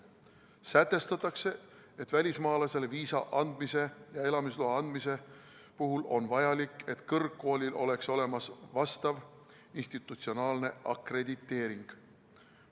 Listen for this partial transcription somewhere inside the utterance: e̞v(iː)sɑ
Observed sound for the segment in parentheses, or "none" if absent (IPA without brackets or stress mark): iː